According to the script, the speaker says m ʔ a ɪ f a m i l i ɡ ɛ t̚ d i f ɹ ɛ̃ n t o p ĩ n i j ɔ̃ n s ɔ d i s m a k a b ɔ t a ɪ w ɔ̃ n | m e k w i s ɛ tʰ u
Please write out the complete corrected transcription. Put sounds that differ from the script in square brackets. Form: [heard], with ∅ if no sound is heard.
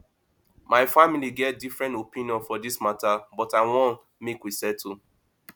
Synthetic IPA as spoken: m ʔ a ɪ f a m i l i ɡ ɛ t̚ d i f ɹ ɛ̃ n t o p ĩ n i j ɔ̃ n [f] ɔ d i s m a [t] a b ɔ t a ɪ w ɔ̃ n | m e k w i s ɛ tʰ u